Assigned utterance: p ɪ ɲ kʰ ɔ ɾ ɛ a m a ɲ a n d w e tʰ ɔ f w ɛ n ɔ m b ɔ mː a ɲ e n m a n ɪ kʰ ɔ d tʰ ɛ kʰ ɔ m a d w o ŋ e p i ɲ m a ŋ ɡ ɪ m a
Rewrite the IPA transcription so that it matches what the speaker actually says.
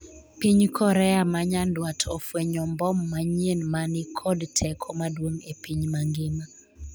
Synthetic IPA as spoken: p i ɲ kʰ ɔ ɾ ɛ a m a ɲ a n d w a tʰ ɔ f w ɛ ɲ ɔ m b ɔ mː a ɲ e n m a n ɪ kʰ ɔ d tʰ ɛ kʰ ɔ m a d w o ŋ e p i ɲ m a ŋ ɡ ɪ m a